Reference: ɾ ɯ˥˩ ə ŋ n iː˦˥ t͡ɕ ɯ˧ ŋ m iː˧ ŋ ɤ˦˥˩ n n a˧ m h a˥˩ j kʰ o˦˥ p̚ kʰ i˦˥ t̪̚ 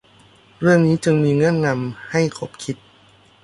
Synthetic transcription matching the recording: ɾ ɯ˥˩ ə ŋ n iː˦˥ t͡ɕ ɯ˧ ŋ m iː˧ ŋ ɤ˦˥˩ n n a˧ m h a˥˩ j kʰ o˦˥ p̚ kʰ i˦˥ t̪̚